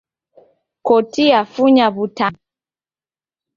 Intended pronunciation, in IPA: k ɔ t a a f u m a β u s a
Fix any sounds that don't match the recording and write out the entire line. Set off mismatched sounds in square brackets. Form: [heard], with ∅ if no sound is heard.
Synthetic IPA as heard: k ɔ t [i] a f u [ɲ] a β u [t] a